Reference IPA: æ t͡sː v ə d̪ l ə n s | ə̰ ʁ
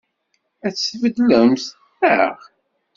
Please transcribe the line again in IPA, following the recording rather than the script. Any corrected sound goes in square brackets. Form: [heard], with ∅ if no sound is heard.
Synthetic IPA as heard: æ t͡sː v ə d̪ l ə [m] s | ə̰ ʁ